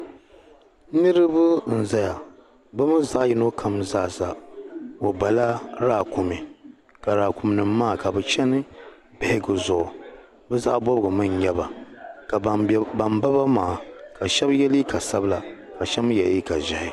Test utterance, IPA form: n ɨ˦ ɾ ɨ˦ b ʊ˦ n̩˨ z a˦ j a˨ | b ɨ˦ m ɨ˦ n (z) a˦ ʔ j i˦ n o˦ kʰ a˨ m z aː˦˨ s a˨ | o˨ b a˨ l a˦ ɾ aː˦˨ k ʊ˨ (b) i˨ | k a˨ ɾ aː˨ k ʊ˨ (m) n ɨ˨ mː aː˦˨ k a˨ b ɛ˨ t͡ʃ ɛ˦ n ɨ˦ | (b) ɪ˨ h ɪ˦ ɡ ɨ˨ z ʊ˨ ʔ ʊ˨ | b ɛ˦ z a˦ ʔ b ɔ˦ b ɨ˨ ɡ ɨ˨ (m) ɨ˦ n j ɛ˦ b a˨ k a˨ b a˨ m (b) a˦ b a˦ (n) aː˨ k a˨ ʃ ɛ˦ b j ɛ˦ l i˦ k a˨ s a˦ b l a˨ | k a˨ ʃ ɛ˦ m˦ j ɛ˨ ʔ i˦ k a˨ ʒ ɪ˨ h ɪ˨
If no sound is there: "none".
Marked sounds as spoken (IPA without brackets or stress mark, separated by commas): z, m, m, b, m, b, m